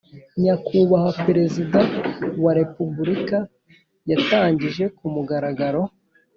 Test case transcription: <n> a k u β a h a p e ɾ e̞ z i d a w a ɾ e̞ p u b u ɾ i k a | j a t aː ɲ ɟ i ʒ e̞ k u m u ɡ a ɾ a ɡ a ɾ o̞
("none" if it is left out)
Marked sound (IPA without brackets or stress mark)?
ɲ